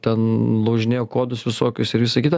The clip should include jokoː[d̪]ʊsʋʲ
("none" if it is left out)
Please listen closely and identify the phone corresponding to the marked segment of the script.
d̪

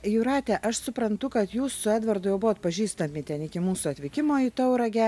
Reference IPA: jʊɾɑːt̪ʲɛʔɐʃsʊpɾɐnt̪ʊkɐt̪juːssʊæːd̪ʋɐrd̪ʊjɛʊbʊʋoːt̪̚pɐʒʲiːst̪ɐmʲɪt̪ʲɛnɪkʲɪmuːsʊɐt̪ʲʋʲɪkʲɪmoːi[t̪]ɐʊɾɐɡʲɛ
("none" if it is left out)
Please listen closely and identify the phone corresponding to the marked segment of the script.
t̪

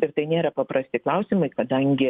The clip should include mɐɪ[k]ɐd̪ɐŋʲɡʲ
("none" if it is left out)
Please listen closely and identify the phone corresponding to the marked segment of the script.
k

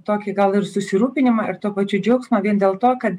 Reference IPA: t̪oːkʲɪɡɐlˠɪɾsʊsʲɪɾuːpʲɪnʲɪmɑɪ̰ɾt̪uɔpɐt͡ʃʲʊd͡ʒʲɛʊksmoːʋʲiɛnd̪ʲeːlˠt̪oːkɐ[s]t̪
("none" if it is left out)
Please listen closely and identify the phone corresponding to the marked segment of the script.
none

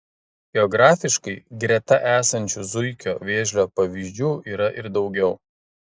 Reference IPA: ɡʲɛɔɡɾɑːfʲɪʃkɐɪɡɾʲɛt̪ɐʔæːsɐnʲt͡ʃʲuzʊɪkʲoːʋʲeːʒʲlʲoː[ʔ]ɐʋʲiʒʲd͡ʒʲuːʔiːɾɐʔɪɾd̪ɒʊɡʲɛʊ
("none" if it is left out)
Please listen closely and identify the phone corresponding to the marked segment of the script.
p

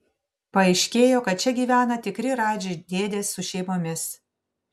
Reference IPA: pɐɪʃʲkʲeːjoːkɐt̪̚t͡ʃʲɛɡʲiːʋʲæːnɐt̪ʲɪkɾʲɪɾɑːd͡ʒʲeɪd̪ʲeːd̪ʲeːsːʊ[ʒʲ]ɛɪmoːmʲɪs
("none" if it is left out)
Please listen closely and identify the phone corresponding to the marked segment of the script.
ʃʲ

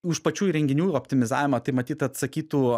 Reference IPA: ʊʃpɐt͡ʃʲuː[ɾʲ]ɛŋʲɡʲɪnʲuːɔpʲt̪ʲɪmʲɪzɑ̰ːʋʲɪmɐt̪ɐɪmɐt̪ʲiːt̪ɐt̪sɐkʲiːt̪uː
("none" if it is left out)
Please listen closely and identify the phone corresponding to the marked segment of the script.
ɾʲ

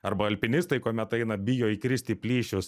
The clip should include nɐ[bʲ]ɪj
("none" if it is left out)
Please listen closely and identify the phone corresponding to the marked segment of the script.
bʲ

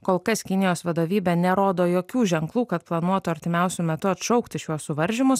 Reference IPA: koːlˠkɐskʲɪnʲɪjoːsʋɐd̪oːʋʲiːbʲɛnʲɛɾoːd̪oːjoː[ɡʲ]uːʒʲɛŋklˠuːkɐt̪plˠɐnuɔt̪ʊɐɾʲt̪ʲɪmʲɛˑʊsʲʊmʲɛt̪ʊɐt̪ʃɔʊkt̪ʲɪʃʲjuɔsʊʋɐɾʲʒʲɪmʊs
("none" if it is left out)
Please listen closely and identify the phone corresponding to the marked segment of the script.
kʲ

